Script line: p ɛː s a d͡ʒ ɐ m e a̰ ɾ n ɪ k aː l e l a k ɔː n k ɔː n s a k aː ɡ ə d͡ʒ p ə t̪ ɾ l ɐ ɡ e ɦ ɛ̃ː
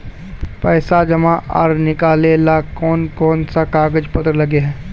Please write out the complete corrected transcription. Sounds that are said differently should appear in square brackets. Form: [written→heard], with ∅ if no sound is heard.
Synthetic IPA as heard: p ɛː s a d͡ʒ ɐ m [e→a] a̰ ɾ n ɪ k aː l e l a k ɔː n k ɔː n s a k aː ɡ ə d͡ʒ p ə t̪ ɾ l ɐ ɡ e ɦ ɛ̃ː